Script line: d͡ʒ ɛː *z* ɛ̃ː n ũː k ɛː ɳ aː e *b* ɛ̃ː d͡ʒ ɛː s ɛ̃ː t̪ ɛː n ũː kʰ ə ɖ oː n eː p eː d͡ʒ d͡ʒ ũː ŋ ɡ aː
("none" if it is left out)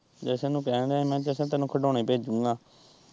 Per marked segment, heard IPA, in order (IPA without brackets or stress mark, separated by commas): s, m